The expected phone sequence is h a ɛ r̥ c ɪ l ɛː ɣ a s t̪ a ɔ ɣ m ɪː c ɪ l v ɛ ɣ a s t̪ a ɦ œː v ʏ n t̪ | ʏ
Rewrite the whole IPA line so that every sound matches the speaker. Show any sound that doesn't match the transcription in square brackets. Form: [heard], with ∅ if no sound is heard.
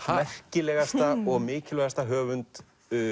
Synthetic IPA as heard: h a ɛ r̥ c ɪ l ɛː ɣ a s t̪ a ɔ ɣ m ɪː c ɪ l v ɛ ɣ a s t̪ a ɦ œː v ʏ n t̪ | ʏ